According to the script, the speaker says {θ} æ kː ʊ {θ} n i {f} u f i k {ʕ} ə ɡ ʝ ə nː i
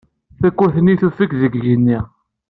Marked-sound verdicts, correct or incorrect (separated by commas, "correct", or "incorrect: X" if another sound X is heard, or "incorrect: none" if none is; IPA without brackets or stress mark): correct, correct, incorrect: θ, incorrect: ð